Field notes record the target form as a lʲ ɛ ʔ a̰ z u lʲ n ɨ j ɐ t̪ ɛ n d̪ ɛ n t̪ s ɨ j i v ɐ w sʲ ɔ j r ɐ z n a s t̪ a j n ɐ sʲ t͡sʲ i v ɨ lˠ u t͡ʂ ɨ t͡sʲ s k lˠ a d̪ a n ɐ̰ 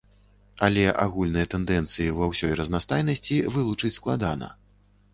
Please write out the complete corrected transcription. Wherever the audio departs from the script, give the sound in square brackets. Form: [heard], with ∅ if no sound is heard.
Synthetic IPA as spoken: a lʲ ɛ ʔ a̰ [ɣ] u lʲ n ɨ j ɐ t̪ ɛ n d̪ ɛ n t̪ s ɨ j i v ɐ w sʲ ɔ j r ɐ z n a s t̪ a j n ɐ sʲ t͡sʲ i v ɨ lˠ u t͡ʂ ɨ t͡sʲ s k lˠ a d̪ a n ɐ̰